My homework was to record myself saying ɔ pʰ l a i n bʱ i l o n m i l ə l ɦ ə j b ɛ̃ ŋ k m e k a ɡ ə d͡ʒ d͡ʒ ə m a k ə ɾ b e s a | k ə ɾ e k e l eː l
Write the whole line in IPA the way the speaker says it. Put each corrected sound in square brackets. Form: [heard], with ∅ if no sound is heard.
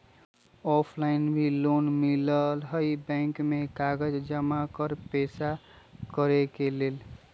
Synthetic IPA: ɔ pʰ l a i n bʱ i l o n m i l ə l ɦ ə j b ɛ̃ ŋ k m e k a ɡ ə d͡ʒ d͡ʒ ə m a k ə ɾ [p] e s a | k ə ɾ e k e l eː l